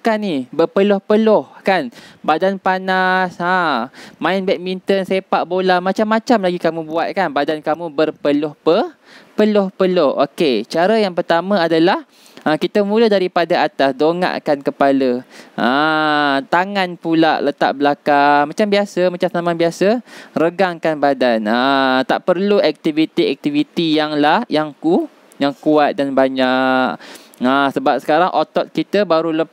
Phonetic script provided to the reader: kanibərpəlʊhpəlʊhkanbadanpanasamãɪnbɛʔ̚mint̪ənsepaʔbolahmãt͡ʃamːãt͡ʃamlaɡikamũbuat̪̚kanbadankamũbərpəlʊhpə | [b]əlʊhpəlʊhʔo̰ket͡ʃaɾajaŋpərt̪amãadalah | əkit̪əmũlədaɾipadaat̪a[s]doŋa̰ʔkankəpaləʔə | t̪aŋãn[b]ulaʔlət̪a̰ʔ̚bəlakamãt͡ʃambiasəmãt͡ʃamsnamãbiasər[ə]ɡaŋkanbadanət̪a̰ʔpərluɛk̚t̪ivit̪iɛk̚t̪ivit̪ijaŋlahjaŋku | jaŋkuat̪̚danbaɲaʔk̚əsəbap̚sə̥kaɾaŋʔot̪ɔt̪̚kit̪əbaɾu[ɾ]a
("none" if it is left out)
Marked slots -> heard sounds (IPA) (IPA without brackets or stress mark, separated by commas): p, s, p, ə, l